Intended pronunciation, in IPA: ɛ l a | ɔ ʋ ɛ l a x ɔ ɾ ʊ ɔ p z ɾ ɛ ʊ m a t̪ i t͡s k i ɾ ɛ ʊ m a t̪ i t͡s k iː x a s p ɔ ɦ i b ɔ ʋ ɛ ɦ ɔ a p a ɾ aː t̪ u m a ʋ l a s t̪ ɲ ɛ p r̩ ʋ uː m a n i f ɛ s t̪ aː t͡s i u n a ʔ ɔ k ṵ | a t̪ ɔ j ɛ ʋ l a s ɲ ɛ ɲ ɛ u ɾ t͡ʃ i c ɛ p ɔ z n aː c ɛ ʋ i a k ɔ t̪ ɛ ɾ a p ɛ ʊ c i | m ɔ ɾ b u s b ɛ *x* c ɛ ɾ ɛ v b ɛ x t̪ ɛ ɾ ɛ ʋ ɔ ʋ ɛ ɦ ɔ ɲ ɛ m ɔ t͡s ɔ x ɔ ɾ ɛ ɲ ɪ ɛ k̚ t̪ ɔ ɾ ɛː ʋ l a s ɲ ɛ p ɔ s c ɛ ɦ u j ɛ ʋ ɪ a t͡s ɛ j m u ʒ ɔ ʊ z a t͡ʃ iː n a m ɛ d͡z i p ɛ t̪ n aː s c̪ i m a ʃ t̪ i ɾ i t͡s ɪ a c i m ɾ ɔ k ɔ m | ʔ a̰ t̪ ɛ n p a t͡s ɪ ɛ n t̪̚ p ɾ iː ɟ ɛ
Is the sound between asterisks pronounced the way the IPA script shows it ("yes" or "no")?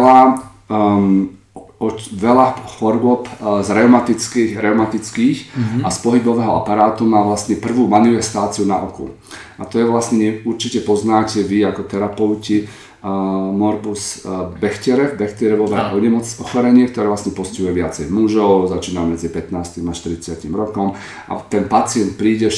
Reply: yes